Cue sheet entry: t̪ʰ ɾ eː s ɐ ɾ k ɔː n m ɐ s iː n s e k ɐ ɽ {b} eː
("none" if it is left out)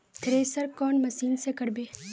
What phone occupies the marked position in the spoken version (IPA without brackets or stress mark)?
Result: b